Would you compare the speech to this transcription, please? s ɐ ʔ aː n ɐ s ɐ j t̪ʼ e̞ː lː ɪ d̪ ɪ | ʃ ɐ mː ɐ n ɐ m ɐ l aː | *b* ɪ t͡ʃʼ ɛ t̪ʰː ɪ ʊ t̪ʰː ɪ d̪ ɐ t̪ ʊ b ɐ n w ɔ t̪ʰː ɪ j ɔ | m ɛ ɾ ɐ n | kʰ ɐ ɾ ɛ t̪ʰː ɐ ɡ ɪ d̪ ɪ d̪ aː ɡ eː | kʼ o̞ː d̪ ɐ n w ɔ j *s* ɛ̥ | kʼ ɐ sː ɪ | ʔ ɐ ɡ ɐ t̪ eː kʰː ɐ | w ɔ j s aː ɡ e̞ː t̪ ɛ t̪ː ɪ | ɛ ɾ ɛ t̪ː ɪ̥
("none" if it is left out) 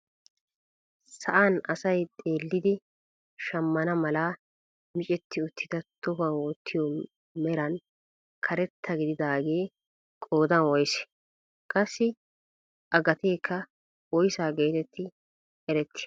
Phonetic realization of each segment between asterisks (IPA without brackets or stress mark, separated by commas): m, s